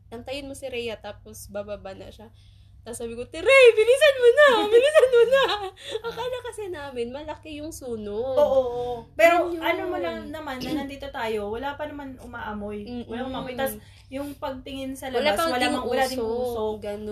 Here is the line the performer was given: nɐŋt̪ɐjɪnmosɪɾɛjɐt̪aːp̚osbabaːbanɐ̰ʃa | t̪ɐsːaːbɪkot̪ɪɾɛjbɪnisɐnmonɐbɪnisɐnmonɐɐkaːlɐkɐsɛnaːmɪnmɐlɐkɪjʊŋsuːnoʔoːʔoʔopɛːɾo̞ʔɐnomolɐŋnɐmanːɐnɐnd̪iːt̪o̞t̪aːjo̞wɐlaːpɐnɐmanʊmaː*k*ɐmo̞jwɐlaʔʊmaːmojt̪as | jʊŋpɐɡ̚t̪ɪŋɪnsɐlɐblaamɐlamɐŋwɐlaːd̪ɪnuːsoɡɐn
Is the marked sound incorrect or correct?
incorrect